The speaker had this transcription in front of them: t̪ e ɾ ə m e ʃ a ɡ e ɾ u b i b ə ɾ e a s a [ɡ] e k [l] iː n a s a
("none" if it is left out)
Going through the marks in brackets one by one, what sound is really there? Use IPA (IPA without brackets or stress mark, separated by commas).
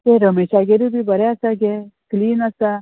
ɡ, l